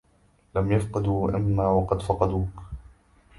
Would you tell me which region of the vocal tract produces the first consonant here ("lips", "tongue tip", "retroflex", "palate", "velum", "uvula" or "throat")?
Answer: tongue tip